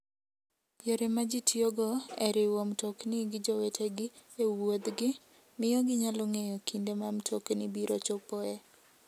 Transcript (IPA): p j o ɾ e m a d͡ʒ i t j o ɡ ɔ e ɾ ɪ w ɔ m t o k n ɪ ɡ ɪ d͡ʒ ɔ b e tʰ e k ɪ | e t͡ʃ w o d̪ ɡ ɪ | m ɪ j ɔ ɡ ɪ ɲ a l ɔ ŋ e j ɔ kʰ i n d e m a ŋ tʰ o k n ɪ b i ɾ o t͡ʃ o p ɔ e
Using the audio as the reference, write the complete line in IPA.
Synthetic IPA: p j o ɾ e m a d͡ʒ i t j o ɡ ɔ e ɾ ɪ w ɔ m t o k n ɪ ɡ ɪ d͡ʒ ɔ w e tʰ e ɡ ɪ | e w o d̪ ɡ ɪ | m ɪ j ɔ ɡ ɪ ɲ a l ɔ ŋ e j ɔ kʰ i n d e m a m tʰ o k n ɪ b i ɾ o t͡ʃ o p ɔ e

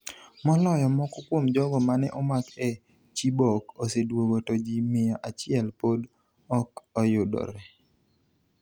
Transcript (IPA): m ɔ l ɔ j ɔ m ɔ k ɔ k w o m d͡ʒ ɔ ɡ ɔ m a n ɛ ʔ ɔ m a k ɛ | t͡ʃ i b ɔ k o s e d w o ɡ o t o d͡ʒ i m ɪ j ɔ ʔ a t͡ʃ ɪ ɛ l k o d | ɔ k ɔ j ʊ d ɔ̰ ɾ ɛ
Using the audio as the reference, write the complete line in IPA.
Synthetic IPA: m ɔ l ɔ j ɔ m ɔ k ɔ k w o m d͡ʒ ɔ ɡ ɔ m a n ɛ ʔ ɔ m a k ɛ | t͡ʃ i b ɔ k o s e d w o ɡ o t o d͡ʒ i m ɪ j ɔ ʔ a t͡ʃ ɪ ɛ l p o d | ɔ k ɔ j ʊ d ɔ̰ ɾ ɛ

